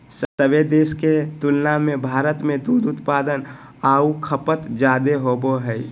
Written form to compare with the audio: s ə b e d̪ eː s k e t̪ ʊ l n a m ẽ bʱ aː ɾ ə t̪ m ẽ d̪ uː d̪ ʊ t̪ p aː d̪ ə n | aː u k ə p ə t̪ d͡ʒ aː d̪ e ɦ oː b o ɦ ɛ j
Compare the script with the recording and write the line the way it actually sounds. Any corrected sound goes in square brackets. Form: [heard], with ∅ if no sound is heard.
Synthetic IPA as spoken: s ə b e d̪ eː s k e t̪ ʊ l n a m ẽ bʱ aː ɾ ə t̪ m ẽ d̪ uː d̪ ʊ t̪ p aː d̪ ə n | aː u [kʰ] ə p ə t̪ d͡ʒ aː d̪ e ɦ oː b o ɦ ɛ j